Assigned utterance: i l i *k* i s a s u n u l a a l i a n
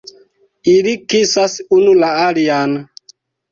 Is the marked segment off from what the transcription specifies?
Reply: no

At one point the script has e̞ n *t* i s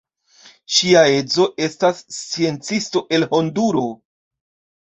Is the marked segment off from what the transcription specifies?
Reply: yes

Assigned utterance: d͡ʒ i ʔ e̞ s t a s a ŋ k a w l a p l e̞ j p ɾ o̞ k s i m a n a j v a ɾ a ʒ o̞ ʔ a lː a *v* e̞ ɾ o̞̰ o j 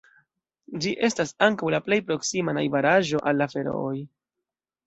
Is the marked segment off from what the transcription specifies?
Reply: yes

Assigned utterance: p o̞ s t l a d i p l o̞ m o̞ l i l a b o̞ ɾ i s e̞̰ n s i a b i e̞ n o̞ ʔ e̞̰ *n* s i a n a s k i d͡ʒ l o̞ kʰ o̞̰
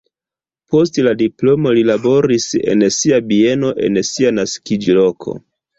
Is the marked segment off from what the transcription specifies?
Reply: no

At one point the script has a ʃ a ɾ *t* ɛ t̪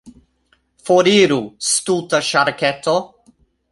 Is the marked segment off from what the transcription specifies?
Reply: yes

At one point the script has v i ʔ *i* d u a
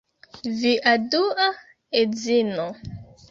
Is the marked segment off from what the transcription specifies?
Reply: yes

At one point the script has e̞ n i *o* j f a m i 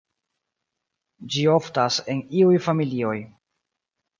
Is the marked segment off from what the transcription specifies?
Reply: yes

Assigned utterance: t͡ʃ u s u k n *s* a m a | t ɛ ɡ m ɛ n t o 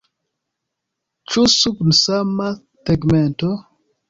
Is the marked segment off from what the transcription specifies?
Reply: no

